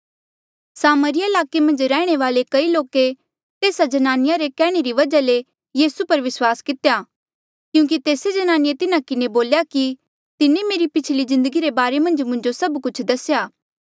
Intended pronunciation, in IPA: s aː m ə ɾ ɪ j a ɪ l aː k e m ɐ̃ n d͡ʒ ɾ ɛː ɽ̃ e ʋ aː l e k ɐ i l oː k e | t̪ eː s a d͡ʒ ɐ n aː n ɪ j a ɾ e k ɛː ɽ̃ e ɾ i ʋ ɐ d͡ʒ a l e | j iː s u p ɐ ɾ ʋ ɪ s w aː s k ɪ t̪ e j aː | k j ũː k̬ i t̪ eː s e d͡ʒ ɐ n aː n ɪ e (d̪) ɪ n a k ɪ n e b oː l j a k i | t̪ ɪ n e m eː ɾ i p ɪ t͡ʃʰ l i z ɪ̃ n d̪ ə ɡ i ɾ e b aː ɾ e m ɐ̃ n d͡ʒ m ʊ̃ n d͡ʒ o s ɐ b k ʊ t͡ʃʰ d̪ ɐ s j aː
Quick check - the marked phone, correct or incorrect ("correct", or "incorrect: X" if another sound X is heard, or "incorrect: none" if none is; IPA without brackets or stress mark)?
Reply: incorrect: t̪